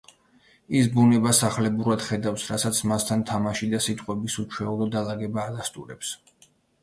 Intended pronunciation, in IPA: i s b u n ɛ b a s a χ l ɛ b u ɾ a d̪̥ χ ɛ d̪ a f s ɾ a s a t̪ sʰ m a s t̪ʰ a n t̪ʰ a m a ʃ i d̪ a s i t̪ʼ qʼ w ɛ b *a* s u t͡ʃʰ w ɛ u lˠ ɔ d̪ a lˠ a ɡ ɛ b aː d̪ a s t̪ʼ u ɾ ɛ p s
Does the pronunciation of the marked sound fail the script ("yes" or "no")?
yes